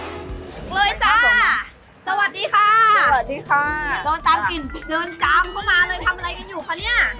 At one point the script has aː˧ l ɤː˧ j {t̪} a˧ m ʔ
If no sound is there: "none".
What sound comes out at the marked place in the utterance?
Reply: t̪ʰ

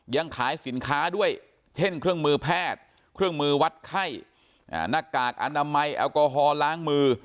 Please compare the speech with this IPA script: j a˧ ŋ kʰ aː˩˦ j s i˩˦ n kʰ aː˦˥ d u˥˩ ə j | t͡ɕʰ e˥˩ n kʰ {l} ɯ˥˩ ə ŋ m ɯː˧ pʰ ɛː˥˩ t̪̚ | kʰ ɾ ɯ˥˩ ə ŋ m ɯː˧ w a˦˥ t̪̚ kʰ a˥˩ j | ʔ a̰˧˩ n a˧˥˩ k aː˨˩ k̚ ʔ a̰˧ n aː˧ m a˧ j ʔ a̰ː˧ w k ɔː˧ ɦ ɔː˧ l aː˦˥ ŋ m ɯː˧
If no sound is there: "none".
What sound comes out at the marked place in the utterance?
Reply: ɾ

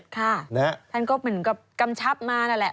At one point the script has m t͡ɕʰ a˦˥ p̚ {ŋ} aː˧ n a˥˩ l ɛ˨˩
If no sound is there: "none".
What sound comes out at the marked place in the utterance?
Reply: m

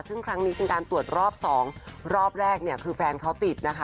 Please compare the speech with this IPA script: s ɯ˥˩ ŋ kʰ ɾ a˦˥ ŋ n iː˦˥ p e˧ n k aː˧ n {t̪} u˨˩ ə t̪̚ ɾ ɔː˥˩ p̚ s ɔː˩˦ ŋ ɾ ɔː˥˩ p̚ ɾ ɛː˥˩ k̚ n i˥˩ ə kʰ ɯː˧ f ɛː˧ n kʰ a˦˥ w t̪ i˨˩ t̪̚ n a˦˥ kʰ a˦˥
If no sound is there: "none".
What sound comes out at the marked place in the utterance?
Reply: t̪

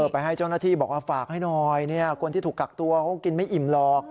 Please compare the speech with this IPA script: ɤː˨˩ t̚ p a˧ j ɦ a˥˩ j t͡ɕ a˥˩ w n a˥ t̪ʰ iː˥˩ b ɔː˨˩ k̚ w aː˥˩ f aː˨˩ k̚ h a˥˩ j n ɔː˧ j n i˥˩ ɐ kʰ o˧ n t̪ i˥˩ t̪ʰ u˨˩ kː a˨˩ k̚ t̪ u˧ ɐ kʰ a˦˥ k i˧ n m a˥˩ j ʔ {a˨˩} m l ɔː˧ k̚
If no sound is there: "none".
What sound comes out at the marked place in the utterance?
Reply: i˨˩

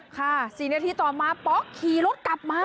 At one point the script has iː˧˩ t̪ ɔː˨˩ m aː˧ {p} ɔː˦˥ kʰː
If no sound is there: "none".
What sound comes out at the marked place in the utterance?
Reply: p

